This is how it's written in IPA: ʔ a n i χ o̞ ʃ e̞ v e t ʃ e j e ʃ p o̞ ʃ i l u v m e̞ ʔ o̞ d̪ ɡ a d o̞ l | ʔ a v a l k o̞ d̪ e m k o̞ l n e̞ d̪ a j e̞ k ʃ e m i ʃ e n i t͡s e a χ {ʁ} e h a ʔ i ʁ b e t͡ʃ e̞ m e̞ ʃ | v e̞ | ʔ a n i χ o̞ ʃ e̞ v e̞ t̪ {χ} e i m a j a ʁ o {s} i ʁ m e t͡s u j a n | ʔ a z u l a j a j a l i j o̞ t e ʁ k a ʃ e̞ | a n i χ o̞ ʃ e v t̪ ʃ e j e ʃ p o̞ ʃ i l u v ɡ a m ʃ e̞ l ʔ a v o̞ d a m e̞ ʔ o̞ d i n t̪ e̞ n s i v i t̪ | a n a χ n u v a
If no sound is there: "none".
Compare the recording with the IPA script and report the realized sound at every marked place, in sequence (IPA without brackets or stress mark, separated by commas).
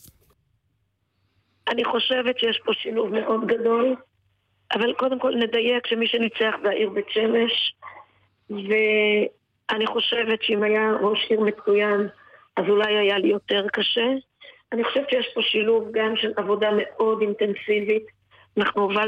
v, ʃ, ʃ